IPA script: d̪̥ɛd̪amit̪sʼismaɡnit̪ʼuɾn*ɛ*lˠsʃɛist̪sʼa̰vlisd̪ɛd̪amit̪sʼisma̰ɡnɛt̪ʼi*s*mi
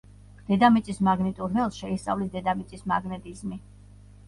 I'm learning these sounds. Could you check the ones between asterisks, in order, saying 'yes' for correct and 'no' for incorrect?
yes, no

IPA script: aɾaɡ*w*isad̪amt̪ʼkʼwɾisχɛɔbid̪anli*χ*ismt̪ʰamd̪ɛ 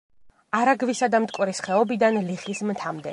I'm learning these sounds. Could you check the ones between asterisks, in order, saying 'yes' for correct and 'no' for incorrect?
no, yes

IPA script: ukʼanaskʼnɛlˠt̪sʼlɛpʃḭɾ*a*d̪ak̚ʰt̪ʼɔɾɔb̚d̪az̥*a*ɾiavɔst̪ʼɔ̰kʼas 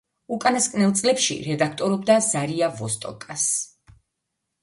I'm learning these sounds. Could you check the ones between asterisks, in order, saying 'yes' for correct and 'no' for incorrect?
no, yes

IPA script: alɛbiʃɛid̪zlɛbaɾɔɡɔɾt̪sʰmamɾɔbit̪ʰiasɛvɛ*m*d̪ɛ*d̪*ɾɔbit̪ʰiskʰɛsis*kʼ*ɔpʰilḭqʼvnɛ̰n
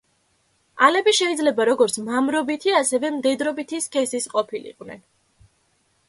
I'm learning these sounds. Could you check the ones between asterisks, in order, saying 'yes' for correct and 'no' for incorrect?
yes, yes, no

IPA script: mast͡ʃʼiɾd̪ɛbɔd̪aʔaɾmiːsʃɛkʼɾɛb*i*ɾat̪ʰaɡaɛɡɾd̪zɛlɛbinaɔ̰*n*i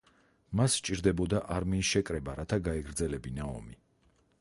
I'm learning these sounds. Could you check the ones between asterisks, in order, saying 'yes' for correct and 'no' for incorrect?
no, no

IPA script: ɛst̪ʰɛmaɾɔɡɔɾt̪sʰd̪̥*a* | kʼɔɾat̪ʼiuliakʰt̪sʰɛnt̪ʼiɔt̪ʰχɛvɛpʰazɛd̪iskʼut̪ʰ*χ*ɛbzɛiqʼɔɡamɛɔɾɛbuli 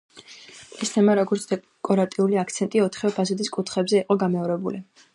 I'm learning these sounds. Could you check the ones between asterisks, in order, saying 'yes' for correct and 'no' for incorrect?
no, yes

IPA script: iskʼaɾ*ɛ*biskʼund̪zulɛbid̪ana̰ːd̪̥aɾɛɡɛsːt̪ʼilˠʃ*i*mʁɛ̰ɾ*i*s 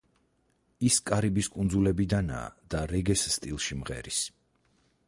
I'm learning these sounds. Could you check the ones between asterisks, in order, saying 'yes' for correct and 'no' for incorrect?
no, yes, yes

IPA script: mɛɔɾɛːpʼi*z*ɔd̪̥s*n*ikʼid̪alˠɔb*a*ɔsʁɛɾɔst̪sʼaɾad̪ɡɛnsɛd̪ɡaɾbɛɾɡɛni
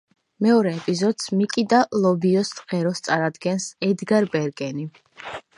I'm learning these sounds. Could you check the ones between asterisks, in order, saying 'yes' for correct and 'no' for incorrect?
yes, no, no

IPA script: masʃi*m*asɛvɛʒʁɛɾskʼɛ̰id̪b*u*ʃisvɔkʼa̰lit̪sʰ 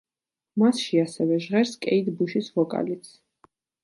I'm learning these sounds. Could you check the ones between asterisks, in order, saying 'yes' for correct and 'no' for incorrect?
no, yes

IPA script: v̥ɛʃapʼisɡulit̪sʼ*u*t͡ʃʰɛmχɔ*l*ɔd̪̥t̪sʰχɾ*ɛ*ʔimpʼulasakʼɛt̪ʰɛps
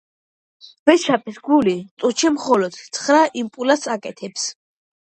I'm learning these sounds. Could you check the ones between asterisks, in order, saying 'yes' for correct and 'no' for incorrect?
yes, yes, no

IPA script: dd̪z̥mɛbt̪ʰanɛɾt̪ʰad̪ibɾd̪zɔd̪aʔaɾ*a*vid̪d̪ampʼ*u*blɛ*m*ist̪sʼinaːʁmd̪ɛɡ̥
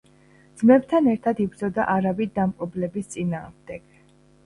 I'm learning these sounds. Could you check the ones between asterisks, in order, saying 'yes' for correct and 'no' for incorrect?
yes, no, no

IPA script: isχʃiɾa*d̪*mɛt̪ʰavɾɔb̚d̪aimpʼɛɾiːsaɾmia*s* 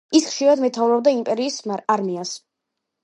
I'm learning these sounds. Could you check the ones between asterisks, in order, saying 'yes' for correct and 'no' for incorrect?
yes, yes

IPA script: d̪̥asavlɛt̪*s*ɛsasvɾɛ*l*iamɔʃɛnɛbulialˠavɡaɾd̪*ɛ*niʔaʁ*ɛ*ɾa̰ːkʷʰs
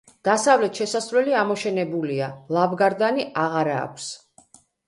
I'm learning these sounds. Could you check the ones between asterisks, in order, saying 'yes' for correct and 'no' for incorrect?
no, yes, no, no

